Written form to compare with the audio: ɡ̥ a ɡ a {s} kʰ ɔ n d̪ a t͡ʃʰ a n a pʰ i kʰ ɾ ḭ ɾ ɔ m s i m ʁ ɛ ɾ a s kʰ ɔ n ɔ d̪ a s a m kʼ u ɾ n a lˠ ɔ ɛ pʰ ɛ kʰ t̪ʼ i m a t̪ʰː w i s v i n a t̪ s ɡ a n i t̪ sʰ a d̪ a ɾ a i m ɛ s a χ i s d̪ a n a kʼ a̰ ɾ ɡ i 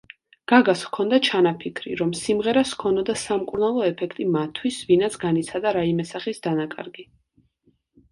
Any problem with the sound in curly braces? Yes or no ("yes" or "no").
no